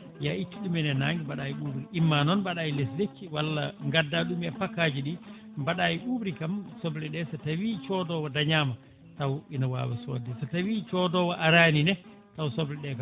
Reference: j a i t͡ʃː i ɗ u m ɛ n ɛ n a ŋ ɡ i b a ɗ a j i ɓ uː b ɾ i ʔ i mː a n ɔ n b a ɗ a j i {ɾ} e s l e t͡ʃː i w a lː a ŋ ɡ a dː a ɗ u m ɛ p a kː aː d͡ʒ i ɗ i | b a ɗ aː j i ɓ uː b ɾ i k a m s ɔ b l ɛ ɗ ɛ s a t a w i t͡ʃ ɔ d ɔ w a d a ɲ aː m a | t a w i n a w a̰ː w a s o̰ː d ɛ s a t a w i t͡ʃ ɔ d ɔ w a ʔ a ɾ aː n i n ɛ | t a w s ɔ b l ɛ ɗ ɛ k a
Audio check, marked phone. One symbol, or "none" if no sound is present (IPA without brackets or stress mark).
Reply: l